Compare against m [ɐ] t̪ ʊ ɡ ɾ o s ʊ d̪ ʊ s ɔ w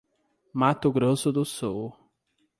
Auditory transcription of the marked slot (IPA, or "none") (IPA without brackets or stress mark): a